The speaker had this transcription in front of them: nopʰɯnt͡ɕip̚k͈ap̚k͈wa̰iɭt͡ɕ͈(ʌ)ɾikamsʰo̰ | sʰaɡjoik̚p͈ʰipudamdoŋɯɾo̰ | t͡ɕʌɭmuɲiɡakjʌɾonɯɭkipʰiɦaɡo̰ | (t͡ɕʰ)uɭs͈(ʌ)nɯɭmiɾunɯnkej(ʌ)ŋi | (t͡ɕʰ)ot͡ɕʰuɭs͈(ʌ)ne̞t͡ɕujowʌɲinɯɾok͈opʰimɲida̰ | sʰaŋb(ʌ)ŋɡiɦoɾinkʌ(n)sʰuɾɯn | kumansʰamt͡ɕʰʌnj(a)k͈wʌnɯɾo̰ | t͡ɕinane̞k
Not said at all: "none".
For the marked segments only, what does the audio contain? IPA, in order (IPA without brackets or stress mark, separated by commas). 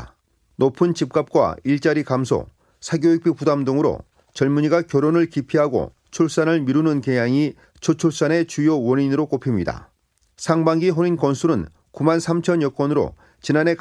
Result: a, t͡ɕʰ, a, a, t͡ɕʰ, a, a, n, ʌ